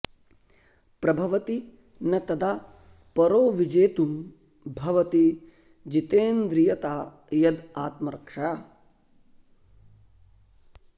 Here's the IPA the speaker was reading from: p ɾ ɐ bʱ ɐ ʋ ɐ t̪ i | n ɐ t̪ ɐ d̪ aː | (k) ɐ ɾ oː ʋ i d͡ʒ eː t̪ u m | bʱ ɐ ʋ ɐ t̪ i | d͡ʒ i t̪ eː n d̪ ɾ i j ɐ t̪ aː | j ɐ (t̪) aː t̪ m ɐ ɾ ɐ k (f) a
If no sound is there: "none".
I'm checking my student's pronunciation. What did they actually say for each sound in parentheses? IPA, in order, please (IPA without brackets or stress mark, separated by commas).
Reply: p, d̪, ʂ